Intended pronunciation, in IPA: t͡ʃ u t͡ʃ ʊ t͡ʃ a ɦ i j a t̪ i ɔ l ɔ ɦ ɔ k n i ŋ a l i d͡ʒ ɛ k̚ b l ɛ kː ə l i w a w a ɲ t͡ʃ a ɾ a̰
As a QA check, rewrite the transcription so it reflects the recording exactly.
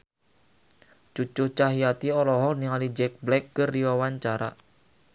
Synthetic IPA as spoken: t͡ʃ u t͡ʃ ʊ t͡ʃ a ɦ i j a t̪ i ɔ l ɔ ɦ ɔ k n i ŋ a l i d͡ʒ ɛ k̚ b l ɛ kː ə r i w a w a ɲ t͡ʃ a ɾ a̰